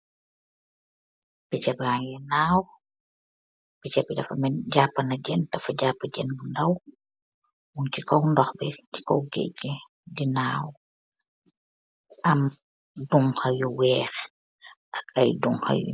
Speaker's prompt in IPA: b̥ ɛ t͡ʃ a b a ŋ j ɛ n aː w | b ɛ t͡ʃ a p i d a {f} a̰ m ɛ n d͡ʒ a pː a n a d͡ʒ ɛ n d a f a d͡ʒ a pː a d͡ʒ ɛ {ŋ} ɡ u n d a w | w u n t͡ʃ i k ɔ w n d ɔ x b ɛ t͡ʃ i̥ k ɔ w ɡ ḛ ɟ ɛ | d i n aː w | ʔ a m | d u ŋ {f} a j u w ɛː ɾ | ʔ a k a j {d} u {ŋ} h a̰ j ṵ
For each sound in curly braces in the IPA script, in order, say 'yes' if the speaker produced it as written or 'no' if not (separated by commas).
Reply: yes, no, no, yes, yes